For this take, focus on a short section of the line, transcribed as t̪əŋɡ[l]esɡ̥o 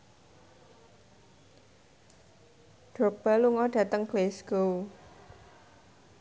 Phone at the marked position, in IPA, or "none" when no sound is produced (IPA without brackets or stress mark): l